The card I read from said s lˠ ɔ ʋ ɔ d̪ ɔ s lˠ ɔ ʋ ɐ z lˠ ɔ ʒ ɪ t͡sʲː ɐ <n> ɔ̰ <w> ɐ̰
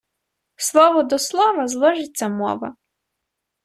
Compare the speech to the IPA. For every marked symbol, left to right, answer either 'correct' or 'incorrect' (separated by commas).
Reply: incorrect, incorrect